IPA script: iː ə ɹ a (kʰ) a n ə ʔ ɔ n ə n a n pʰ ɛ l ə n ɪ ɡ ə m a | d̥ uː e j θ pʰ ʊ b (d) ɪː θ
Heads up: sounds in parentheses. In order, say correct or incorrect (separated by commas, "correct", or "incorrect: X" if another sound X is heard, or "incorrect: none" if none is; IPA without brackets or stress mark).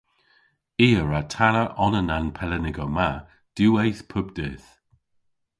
incorrect: tʰ, correct